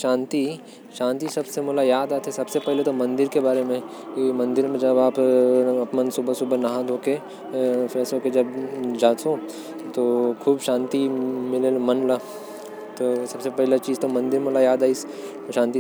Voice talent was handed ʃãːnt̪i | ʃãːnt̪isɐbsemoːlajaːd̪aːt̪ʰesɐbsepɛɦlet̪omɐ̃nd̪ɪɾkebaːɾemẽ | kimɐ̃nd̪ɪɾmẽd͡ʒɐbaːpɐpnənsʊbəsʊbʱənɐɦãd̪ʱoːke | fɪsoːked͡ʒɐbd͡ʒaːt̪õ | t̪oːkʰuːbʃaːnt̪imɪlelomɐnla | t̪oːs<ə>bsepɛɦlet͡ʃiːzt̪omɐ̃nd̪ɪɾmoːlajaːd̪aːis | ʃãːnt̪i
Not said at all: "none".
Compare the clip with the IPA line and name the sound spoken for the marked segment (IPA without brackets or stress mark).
ɐ